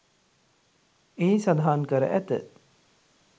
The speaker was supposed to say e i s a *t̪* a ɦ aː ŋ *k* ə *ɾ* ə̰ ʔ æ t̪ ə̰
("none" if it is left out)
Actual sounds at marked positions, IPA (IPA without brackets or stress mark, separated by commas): d̪, k, ɾ